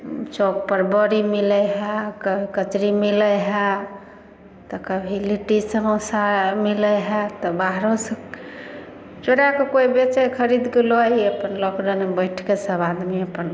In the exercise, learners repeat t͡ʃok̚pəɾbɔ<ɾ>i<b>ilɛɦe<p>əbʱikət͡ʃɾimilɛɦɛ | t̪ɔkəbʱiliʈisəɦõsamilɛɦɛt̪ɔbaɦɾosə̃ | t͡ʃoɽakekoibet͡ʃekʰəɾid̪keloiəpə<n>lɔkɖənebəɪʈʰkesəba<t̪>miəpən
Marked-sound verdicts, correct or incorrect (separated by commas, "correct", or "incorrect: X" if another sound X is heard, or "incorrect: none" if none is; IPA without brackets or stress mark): correct, incorrect: m, incorrect: k, correct, incorrect: d̪